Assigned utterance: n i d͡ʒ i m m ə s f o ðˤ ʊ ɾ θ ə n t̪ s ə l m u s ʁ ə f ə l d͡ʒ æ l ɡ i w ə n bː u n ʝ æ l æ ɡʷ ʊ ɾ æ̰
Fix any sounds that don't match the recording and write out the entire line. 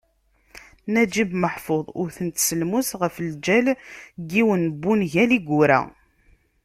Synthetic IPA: n æ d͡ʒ i b m ə ħ f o ðˤ ʊ ɾ θ ə n t̪ s ə l m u s ʁ ə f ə l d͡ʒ æ l ɡ i w ə n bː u n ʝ æ l i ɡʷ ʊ ɾ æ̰